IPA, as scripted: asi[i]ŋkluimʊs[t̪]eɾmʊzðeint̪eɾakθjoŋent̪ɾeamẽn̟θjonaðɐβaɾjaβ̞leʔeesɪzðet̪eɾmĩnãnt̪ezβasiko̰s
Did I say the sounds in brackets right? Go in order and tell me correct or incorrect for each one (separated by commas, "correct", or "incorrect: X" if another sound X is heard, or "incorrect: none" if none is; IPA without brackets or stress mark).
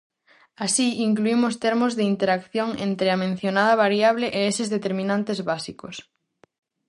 correct, correct